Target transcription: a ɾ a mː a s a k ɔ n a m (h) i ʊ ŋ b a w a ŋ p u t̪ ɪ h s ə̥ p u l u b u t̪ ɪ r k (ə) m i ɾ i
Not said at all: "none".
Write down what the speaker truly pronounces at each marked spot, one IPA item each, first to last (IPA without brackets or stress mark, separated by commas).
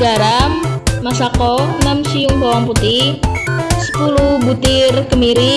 s, ə